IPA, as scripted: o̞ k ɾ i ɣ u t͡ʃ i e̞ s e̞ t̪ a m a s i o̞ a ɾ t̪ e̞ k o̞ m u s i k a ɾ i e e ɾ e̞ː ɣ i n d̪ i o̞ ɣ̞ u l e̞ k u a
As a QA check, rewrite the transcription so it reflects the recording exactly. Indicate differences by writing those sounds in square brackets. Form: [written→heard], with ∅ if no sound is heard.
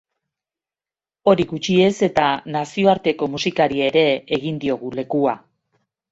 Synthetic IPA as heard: o̞ [k→∅] ɾ i ɣ u t͡ʃ i e̞ s e̞ t̪ a [m→n] a s i o̞ a ɾ t̪ e̞ k o̞ m u s i k a ɾ i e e ɾ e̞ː ɣ i n d̪ i o̞ ɣ̞ u l e̞ k u a